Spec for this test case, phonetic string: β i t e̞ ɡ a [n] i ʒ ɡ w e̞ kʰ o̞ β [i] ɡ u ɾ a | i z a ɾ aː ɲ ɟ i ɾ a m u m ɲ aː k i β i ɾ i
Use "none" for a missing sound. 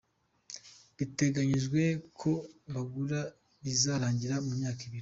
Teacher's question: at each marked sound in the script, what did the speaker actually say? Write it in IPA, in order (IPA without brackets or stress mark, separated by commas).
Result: ɲ, a